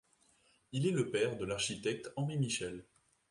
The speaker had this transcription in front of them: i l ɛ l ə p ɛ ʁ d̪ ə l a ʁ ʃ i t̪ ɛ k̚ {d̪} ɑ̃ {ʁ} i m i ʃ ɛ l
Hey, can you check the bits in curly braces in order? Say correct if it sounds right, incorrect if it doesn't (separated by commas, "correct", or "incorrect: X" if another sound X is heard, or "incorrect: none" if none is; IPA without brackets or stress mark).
incorrect: t̪, correct